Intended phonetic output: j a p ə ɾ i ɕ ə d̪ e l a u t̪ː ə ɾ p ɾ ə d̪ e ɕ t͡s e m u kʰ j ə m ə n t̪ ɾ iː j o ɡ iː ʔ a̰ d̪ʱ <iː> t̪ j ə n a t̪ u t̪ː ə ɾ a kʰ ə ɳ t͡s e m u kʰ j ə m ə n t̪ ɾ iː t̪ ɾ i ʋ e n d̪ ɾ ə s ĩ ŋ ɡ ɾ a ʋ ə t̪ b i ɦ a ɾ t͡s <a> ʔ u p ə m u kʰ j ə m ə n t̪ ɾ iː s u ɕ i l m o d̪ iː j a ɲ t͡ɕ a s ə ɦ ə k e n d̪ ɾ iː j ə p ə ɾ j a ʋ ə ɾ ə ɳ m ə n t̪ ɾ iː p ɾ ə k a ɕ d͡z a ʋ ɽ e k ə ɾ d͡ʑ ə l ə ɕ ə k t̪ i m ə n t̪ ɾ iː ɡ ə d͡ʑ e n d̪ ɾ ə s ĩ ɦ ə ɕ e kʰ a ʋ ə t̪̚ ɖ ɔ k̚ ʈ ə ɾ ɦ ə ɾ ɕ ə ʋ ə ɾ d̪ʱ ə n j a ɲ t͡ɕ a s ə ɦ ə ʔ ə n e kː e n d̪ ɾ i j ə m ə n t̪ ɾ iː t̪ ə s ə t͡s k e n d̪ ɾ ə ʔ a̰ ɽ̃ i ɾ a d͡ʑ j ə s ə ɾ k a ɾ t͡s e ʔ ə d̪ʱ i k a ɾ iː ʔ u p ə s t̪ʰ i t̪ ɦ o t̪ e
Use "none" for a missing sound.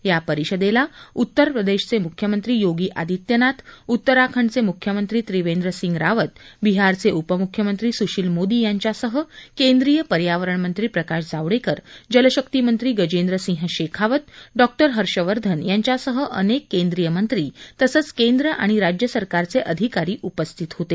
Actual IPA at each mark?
i, e

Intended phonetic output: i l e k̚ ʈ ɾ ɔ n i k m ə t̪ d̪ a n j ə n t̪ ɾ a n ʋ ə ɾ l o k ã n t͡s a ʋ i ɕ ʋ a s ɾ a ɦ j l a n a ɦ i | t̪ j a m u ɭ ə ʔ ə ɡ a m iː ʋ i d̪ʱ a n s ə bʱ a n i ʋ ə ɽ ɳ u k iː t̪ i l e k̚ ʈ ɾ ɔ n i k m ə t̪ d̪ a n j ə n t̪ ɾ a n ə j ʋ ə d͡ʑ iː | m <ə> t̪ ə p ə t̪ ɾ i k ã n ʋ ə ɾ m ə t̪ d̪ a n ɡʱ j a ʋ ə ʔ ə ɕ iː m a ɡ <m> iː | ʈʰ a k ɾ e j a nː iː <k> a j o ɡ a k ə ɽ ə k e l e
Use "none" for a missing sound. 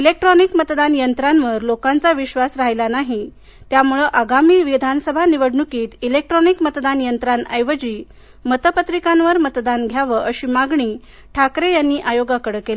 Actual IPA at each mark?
ə, ɳ, ʔ

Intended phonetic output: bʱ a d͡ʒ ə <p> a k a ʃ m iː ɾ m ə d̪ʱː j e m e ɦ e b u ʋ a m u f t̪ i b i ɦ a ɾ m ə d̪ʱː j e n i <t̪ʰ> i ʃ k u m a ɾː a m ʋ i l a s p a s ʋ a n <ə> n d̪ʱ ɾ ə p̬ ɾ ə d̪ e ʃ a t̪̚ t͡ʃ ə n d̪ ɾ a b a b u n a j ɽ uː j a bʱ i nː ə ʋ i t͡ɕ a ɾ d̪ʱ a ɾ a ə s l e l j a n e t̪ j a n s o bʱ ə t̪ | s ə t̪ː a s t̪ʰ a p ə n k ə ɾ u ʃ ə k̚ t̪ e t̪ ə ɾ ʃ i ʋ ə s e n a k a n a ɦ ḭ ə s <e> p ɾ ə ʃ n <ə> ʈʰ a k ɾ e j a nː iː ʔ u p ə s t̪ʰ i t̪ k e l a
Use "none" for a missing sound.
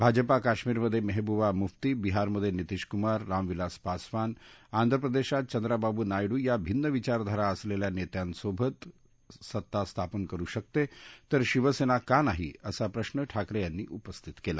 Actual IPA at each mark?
p, t̪, a, a, ə

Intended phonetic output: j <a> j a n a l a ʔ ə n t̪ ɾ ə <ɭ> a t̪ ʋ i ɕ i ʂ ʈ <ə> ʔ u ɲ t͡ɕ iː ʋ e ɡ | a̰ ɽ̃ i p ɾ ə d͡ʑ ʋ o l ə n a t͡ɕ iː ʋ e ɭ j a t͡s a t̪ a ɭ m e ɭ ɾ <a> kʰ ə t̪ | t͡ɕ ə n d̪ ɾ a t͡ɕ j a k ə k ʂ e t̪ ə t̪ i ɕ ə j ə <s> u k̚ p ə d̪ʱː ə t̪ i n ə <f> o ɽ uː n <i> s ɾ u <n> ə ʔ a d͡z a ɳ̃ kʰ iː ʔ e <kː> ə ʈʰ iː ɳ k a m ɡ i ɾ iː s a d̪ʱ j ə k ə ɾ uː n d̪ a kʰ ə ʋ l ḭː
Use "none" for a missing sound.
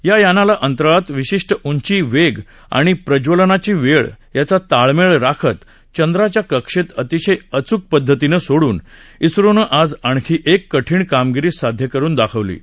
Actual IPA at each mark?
a, ɭ, ə, a, t͡s, s, i, n, kː

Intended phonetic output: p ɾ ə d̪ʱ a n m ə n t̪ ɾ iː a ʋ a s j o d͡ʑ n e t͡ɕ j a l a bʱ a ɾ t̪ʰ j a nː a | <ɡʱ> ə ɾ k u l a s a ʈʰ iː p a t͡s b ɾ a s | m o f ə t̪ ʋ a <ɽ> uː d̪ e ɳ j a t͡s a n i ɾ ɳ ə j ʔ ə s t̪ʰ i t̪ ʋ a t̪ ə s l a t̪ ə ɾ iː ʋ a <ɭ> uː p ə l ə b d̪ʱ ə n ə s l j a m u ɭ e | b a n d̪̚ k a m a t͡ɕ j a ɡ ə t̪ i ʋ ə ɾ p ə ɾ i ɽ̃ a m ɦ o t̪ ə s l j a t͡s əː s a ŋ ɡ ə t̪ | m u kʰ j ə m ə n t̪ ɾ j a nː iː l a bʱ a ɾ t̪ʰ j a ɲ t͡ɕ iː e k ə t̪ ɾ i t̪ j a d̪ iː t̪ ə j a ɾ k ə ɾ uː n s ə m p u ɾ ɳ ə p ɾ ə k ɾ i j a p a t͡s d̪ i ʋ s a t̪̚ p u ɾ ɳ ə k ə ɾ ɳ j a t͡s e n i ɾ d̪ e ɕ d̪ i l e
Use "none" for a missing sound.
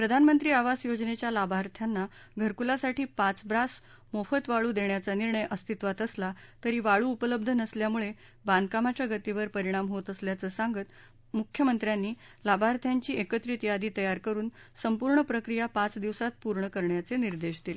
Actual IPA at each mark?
ɡʱ, ɭ, ɭ

